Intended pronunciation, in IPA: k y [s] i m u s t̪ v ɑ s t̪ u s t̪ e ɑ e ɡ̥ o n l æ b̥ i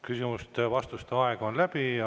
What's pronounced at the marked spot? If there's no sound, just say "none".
s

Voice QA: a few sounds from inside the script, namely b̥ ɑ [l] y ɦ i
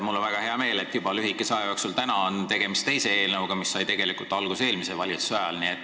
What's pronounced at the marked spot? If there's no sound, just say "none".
l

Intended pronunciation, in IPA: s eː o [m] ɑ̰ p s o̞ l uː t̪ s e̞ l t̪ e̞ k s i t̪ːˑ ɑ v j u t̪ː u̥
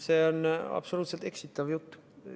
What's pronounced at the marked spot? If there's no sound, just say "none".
n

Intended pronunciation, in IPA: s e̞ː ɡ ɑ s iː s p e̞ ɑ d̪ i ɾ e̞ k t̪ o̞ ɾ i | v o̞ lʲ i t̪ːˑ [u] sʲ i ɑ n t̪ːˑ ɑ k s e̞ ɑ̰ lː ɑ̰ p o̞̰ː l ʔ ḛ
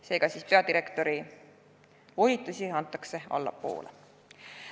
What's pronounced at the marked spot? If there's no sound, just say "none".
u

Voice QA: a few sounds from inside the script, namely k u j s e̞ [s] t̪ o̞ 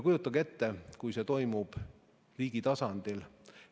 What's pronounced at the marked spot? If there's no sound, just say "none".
none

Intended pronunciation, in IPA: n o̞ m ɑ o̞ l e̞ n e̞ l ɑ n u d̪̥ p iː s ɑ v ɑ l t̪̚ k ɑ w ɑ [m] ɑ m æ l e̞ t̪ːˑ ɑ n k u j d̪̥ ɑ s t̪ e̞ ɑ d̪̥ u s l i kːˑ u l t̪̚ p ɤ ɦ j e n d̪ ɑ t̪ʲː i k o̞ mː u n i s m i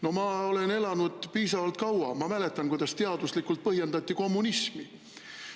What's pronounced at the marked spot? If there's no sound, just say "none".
m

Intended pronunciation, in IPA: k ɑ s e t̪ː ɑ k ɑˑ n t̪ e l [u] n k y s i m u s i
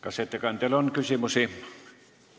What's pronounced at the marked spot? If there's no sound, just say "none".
o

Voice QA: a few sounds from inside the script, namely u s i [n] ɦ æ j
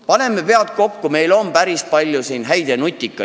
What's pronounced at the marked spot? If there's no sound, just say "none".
n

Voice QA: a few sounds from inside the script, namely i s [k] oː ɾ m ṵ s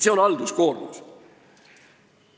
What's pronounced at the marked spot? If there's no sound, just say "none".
k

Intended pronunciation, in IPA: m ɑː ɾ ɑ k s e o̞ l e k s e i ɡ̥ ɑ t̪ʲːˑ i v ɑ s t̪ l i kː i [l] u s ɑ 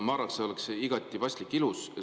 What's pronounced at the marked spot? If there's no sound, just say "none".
l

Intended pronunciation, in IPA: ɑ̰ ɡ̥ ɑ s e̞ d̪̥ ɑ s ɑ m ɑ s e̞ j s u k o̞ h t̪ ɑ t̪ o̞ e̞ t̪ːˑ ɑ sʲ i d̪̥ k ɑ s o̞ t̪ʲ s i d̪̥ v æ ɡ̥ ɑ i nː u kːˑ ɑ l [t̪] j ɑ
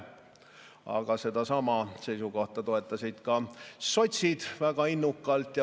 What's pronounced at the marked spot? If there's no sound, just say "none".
t̪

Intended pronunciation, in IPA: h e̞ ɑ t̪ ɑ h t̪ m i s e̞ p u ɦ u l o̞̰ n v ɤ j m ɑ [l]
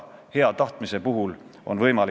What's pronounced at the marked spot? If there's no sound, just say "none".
l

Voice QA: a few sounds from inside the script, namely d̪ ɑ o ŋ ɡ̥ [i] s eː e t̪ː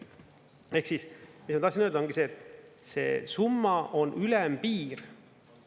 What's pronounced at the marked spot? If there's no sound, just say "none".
i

